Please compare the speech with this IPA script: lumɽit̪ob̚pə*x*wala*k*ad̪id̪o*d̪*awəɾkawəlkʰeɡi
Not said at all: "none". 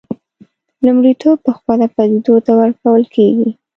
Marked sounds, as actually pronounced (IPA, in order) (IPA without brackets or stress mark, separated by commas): x, p, t̪